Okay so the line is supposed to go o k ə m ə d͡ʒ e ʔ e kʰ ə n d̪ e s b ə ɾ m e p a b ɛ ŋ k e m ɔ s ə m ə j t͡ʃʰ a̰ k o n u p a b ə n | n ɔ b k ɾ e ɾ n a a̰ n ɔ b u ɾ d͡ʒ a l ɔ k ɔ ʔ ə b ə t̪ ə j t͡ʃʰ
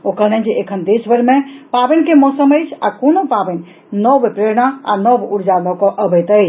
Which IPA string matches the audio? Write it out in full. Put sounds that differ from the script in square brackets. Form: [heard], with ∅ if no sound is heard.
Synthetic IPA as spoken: o k ə [n] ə d͡ʒ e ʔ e kʰ ə n d̪ e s b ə ɾ m e p a b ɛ [n] k e m ɔ s ə m ə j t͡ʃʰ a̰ k o n [o] p a b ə n | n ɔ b [p] ɾ e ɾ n a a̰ n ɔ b u ɾ d͡ʒ a l ɔ k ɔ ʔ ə b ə t̪ ə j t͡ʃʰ